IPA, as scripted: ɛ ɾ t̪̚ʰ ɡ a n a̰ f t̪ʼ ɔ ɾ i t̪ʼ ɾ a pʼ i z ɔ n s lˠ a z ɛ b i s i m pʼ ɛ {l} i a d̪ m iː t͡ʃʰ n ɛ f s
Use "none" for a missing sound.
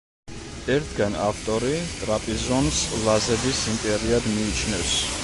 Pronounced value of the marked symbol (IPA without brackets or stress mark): ɾ